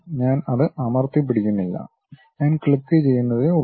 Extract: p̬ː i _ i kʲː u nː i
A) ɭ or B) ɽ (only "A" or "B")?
B